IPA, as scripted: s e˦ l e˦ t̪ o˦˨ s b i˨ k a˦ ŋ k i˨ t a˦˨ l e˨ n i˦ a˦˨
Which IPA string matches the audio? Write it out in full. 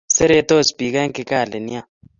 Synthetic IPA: s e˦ ɾ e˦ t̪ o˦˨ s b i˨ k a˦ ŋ k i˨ k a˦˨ l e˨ n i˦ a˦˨